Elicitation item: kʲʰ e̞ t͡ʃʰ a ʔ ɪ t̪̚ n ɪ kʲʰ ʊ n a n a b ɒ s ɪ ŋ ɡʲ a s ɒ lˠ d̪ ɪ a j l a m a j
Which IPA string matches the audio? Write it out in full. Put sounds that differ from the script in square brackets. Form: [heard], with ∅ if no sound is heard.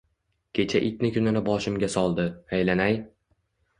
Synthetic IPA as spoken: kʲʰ e̞ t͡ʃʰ a ʔ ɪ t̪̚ n ɪ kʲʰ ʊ n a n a b ɒ [ʃ] ɪ [m] ɡʲ a s ɒ lˠ d̪ ɪ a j l a [n] a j